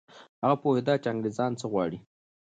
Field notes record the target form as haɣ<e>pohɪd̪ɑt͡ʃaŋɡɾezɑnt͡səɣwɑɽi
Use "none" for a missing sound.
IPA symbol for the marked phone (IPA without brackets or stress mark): a